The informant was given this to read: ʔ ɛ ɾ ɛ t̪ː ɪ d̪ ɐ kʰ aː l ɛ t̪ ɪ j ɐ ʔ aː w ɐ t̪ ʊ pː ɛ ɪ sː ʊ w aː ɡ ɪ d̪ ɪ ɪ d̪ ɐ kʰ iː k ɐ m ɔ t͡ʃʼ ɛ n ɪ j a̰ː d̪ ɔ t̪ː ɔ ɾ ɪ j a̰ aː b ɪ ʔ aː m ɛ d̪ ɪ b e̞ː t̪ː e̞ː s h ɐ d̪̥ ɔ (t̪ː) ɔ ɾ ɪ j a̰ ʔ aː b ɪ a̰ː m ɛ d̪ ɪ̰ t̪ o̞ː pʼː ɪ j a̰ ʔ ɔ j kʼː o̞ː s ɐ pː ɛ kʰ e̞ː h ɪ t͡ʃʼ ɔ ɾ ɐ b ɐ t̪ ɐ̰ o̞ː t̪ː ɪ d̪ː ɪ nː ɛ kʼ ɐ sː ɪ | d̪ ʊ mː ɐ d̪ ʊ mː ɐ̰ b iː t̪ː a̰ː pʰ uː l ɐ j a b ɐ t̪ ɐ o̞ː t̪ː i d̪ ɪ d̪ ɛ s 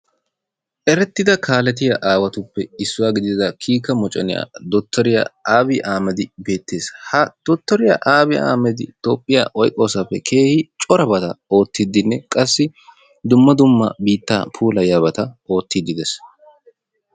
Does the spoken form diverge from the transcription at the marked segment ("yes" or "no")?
no